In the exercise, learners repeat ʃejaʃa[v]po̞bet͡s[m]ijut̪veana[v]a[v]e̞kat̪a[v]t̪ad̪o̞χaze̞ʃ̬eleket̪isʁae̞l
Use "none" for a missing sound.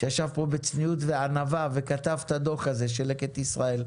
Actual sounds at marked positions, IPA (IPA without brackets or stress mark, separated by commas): v, n, v, v, v